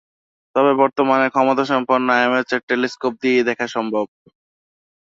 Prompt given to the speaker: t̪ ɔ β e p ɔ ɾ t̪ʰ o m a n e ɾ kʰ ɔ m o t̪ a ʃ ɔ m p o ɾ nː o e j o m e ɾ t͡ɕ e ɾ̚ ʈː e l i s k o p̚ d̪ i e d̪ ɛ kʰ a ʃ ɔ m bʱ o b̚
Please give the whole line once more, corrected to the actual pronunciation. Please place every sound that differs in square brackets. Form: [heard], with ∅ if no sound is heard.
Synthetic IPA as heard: t̪ ɔ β e [b] ɔ ɾ [t̪] o m a n e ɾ kʰ ɔ m o t̪ a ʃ ɔ m p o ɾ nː o [a] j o m e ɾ t͡ɕ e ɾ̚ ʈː e l i s k o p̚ d̪ i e d̪ ɛ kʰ a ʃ ɔ m bʱ o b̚